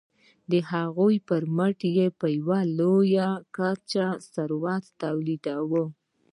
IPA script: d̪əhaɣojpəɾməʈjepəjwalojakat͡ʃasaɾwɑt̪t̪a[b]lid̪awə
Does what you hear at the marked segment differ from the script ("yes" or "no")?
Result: yes